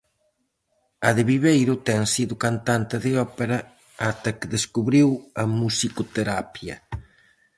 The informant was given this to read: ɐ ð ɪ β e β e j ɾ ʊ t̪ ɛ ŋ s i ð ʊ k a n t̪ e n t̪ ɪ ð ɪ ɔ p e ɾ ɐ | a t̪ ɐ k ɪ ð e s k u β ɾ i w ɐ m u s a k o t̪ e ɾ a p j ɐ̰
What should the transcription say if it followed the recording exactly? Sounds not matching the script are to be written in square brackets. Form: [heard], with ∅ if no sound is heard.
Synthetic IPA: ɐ ð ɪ β [i] β e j ɾ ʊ t̪ ɛ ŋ s i ð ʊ k a n t̪ [a] n t̪ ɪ ð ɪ ɔ p e ɾ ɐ | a t̪ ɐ k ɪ ð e s k u β ɾ i w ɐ m u s [i] k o t̪ e ɾ a p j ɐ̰